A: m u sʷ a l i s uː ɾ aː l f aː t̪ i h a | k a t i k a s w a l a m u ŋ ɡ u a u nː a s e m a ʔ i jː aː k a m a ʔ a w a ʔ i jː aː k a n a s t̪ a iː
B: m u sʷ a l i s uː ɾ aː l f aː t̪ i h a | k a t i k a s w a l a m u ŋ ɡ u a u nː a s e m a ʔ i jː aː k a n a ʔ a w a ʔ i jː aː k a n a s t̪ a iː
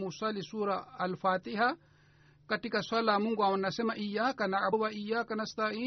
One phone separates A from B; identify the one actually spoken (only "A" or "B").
B